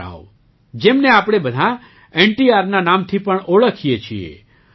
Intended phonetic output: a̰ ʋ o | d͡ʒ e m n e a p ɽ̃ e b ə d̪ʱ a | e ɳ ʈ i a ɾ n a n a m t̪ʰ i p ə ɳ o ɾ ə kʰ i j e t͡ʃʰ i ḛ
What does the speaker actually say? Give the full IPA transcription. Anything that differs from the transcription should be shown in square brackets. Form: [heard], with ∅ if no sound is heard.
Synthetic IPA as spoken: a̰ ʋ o | d͡ʒ e m n e a p ɽ̃ e b ə d̪ʱ a | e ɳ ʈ i a ɾ n a n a m t̪ʰ i p ə ɳ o [ɭ] ə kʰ i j e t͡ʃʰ i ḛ